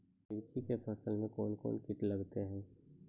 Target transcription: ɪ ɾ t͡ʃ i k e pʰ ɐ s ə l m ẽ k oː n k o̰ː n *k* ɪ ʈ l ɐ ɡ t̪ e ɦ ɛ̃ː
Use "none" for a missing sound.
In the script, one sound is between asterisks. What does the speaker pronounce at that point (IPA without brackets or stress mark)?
k